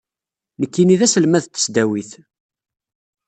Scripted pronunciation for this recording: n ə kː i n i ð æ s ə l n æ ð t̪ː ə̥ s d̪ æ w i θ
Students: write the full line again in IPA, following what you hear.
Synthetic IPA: n ə kː i n i ð æ s ə l m æ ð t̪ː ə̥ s d̪ æ w i θ